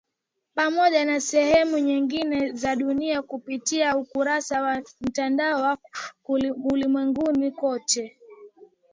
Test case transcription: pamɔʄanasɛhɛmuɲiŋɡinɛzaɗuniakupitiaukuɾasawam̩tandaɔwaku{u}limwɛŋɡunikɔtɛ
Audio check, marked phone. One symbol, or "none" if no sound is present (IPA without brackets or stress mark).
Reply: u